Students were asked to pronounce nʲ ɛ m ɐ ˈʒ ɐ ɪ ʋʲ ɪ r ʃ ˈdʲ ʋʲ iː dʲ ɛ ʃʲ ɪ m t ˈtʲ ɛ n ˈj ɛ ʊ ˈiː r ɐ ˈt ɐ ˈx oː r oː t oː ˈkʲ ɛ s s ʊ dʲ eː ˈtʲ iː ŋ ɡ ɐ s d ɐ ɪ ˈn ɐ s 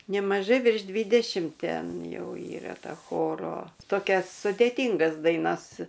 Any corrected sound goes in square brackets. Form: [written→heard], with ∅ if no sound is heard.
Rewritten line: nʲ ɛ m ɐ ˈʒ ɐ ɪ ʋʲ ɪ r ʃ ˈdʲ ʋʲ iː dʲ ɛ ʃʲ ɪ m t ˈtʲ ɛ n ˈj ɛ ʊ ˈiː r ɐ ˈt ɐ ˈx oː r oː t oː ˈkʲ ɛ s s ʊ dʲ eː ˈtʲ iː ŋ ɡ ɐ s d ɐ ɪ ˈn ɐ s